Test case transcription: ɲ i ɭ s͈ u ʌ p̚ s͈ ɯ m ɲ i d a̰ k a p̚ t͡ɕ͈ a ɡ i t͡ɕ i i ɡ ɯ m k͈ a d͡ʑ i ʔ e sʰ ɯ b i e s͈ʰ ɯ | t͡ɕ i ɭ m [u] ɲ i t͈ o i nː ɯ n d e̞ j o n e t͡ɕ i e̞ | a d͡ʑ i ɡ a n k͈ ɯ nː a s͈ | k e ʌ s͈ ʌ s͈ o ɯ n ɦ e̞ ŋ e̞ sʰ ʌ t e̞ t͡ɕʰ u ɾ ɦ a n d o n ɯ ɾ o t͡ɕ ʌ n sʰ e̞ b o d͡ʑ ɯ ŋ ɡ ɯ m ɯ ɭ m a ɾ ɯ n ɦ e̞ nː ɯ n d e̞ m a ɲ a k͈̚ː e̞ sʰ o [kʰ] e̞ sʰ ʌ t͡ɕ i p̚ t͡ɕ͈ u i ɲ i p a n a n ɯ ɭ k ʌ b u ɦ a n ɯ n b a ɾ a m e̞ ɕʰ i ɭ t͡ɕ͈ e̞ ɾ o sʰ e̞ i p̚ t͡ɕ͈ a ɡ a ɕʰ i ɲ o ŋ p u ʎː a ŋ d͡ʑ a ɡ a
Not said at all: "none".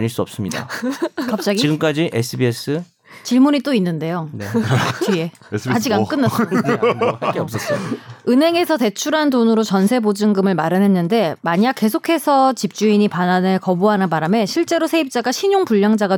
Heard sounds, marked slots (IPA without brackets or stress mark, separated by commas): u, kʰ